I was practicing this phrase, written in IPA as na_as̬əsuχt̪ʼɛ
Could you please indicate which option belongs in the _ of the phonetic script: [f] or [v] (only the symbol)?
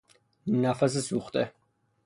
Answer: f